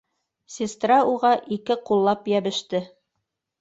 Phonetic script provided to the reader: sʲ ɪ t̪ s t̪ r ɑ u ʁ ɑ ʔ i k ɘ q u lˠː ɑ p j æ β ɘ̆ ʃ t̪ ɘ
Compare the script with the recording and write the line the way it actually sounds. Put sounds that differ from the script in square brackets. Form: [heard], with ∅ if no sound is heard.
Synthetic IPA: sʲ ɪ [∅] s t̪ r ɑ u ʁ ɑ ʔ i k ɘ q u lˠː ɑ p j æ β ɘ̆ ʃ t̪ ɘ